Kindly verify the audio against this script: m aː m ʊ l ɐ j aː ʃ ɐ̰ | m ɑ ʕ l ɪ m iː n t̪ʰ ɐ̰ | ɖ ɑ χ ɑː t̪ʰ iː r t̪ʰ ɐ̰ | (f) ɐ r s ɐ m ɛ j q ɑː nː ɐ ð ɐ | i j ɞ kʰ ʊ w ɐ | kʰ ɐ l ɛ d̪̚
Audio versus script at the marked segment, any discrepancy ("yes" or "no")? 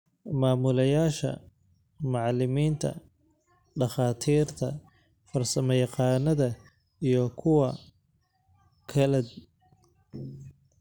no